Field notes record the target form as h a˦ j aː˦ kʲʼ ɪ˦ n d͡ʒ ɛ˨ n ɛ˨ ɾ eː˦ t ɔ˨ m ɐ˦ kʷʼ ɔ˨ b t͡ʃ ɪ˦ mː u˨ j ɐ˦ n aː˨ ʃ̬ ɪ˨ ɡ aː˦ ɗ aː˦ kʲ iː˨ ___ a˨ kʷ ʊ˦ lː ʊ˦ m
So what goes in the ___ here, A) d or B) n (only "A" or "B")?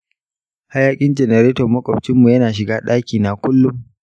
B